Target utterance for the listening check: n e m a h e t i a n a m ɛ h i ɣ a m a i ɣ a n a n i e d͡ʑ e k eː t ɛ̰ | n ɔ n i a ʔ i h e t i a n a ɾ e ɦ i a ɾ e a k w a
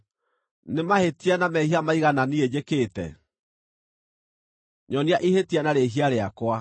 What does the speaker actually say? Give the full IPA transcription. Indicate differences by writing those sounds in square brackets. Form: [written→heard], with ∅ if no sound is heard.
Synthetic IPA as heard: n e m a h e t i a n a m ɛ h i [ɣ→∅] a m a i ɣ a n a n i e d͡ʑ e k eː t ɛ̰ | [n→ɲ] ɔ n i a ʔ i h e t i a n a ɾ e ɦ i a ɾ e a k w a

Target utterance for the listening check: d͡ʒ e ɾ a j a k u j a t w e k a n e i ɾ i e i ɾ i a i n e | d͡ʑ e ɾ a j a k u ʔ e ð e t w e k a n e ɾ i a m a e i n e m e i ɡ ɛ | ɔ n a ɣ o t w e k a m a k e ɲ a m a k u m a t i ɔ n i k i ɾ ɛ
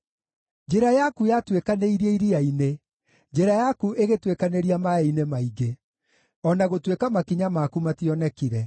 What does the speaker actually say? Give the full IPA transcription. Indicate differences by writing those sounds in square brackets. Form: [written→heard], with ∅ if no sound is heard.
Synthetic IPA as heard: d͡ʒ e ɾ a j a k u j a t w e k a n e i ɾ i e i ɾ i a i n e | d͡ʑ e ɾ a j a k u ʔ e [ð→ɣ] e t w e k a n e ɾ i a m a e i n e m [e→a] i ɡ [ɛ→e] | ɔ n a ɣ o t w e k a m a k [e→i] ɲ a m a k u m a t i ɔ n [i→ɛ] k i ɾ ɛ

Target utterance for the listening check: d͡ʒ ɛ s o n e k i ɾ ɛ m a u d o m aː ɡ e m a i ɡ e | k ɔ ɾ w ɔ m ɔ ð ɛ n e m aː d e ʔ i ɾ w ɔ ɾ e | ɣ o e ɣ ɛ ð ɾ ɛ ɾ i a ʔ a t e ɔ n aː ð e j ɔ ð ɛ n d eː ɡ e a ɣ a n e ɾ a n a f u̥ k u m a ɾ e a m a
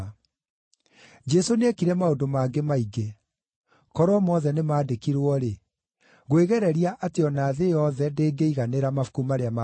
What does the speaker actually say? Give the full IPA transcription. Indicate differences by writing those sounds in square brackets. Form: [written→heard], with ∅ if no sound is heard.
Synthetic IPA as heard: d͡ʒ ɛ s o n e k i ɾ ɛ m a [u→o] d o m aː ɡ e m a i ɡ e | k ɔ ɾ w ɔ m ɔ ð ɛ n e m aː d e [ʔ→k] i ɾ w ɔ ɾ e | ɣ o e ɣ ɛ [ð→∅] ɾ ɛ ɾ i a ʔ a t e ɔ n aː ð e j ɔ ð ɛ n d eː ɡ e [a→i] ɣ a n e ɾ a [n→m] a f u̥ k u m a ɾ e a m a

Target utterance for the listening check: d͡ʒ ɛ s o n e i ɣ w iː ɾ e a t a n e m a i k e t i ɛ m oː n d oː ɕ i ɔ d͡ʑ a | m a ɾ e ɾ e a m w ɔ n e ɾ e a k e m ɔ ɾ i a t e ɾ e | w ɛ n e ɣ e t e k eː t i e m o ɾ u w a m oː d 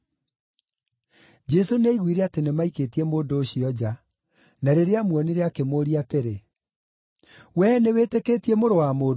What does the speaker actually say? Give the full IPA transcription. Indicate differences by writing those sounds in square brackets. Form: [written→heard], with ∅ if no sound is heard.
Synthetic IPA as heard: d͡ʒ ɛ s o n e i ɣ w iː ɾ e a t [a→e] n e m a i k e t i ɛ m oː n d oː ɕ i ɔ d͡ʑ a | [m→n] a ɾ e ɾ e a m w ɔ n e ɾ e a k e m [ɔ→o] ɾ i a t e ɾ e | w ɛ n e [ɣ→w] e t e k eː t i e m o ɾ [u→o] w a m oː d

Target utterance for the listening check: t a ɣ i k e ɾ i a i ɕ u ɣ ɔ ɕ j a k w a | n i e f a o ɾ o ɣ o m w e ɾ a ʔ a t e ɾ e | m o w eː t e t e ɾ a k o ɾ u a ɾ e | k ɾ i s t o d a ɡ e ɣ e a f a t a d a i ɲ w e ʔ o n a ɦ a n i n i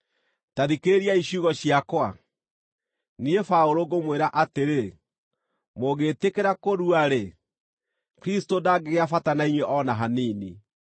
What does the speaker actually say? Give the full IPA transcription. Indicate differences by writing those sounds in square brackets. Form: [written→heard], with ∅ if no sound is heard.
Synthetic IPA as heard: t a [ɣ→ð] i k e ɾ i a i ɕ u ɣ ɔ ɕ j a k w a | n i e f a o ɾ o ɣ o m w e ɾ a ʔ a t e ɾ e | m o [w→ɣ] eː t e [t→k] e ɾ a k o ɾ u a ɾ e | k ɾ i s t o d a ɡ e ɣ e a f a t a [d→n] a i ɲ w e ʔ [o→ɔ] n a ɦ a n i n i

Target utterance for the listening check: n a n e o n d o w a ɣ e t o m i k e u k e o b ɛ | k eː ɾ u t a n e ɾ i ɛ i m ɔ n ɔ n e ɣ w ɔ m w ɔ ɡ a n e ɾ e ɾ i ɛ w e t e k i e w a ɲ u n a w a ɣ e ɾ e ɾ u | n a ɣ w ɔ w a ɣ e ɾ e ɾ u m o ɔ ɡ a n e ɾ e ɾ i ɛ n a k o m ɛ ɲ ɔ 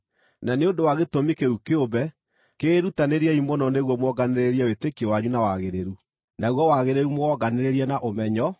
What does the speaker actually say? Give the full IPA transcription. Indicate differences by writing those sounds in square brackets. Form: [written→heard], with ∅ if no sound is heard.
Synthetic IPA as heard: n a n e o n d o w a ɣ e t o m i k e u k e o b ɛ | k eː ɾ u t a n e ɾ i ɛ i m ɔ n ɔ n e ɣ w ɔ m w ɔ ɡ a n e ɾ e ɾ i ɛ w e t e k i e w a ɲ u n a w a ɣ e ɾ e ɾ u | n a ɣ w ɔ w a ɣ e ɾ e ɾ u m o ɔ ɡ a n e ɾ e ɾ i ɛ n a [k→ʔ] o m ɛ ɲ ɔ

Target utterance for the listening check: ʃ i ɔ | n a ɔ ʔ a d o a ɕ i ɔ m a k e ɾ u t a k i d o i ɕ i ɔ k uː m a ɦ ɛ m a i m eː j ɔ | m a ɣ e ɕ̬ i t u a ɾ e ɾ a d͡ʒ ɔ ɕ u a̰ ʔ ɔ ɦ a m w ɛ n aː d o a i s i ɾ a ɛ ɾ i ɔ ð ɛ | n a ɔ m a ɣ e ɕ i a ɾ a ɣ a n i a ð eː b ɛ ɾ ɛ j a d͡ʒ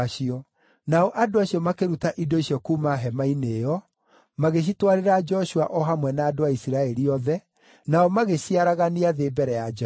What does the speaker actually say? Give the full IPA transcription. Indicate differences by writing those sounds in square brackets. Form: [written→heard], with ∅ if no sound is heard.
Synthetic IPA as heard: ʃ i ɔ | n a ɔ ʔ a d o a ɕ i ɔ m a k e ɾ u t a [k→ʔ] i d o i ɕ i ɔ k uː m a ɦ ɛ m a i [m→n] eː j ɔ | m a ɣ e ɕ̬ i t [u→w] a ɾ e ɾ a d͡ʒ ɔ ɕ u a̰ ʔ ɔ ɦ a m w ɛ n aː d o a i s i ɾ a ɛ ɾ i ɔ ð ɛ | n a ɔ m a ɣ e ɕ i a ɾ a ɣ a n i a ð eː b ɛ ɾ ɛ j a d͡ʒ

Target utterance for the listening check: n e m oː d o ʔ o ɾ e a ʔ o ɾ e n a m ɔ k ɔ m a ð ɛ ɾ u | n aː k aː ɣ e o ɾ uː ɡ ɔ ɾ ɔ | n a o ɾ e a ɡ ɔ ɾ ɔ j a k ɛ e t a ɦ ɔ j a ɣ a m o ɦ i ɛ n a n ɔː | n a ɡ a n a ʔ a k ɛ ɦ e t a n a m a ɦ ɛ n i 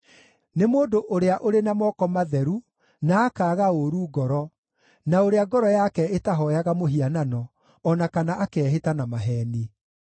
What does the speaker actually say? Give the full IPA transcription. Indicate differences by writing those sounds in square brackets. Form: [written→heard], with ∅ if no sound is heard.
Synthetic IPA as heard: n e m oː d o ʔ o ɾ e a ʔ o ɾ e n a m ɔ k ɔ m a ð ɛ ɾ u | n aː k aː ɣ [e→a] o ɾ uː ɡ ɔ ɾ ɔ | n a o ɾ e a ɡ ɔ ɾ ɔ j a k ɛ e t a ɦ ɔ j a ɣ a m o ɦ i [ɛ→a] n a n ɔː | n a [ɡ→k] a n a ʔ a k ɛ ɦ e t a n a m a ɦ ɛ n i

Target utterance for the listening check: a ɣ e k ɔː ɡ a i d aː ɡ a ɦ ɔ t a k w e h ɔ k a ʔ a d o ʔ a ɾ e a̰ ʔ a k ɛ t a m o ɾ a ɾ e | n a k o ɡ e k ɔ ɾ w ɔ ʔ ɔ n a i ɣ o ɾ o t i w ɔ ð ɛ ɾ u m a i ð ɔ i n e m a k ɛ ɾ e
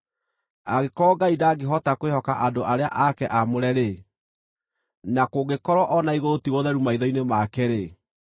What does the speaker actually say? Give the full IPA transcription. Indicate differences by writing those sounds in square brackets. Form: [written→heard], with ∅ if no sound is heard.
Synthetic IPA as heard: a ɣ e k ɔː ɡ a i d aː ɡ [a→e] ɦ ɔ t a k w e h ɔ k a ʔ a d o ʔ a ɾ e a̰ ʔ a k ɛ [t→ʔ] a m o ɾ [a→ɛ] ɾ e | n a k o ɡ e k ɔ ɾ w ɔ ʔ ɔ n a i ɣ o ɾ o t i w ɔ ð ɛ ɾ u m a i ð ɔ i n e m a k ɛ ɾ e

